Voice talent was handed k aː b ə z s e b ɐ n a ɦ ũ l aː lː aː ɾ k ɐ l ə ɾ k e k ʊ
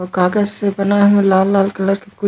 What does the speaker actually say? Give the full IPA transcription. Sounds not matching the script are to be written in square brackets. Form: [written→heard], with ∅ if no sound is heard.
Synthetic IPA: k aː [b→ɡ] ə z s e b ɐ n a ɦ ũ l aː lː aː [ɾ→l] k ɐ l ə ɾ k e k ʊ